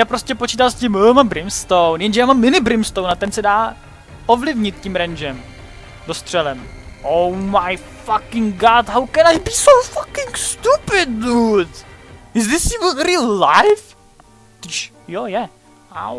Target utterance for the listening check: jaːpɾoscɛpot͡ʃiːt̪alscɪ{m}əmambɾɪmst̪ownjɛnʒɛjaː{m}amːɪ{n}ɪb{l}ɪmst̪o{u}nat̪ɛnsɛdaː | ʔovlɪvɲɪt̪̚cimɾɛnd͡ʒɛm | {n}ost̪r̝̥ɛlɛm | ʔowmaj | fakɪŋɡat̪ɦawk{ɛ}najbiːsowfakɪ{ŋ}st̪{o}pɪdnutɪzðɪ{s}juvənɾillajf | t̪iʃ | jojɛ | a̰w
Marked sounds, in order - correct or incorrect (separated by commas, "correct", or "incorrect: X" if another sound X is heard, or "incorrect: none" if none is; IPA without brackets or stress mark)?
correct, correct, correct, incorrect: ɾ, incorrect: w, incorrect: d, correct, correct, incorrect: u, correct